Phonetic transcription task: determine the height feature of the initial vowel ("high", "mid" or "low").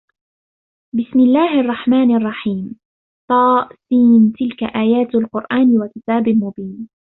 high